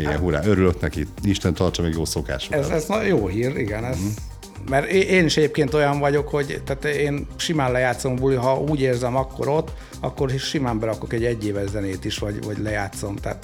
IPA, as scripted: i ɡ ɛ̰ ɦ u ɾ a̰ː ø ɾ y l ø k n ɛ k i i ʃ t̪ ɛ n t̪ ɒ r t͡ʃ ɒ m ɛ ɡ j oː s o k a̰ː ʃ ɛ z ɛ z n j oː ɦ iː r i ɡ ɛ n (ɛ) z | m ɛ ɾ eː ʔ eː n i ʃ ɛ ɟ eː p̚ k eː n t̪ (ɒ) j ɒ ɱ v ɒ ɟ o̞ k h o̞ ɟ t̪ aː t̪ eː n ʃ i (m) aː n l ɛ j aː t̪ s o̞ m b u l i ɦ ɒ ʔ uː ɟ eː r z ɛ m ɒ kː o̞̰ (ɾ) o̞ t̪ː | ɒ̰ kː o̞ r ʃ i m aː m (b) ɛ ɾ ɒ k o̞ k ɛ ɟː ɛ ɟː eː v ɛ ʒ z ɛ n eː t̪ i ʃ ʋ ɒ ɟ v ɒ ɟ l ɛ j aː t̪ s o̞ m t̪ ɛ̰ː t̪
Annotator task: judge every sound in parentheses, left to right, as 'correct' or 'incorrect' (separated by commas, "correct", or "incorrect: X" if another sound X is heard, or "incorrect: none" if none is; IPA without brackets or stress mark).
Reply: correct, incorrect: o, correct, correct, correct